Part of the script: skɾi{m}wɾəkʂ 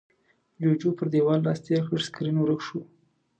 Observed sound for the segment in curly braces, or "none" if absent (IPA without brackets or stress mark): n